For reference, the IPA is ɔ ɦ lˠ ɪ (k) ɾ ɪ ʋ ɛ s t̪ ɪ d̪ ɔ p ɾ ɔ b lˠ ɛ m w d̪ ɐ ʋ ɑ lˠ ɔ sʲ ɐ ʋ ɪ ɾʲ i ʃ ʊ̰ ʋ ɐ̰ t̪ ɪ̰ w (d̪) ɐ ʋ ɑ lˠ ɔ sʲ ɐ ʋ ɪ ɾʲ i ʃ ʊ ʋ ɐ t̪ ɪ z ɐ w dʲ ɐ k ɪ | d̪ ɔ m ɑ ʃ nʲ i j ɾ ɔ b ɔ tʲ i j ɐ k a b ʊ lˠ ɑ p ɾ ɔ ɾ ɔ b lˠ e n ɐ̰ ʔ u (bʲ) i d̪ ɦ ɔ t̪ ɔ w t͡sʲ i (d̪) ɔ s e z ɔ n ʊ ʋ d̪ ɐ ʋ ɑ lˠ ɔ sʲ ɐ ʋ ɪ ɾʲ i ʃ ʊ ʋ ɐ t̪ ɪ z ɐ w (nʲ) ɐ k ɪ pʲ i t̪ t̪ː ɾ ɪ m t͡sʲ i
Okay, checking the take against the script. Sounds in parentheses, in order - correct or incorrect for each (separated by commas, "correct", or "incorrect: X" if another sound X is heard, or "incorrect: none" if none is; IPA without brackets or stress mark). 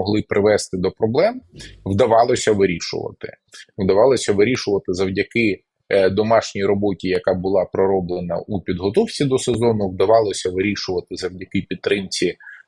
incorrect: p, correct, incorrect: pʲ, correct, incorrect: dʲ